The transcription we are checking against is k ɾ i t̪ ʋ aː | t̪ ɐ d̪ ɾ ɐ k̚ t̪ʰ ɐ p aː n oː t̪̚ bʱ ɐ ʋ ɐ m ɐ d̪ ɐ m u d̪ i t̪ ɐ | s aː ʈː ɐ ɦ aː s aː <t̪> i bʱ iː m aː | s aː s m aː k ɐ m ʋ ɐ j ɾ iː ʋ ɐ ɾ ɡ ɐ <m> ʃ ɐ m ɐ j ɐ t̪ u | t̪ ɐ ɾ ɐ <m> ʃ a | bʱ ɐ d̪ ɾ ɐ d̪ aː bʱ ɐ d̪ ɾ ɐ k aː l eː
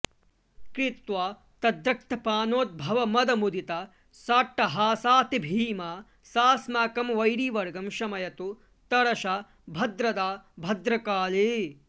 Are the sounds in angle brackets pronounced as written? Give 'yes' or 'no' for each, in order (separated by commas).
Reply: yes, yes, no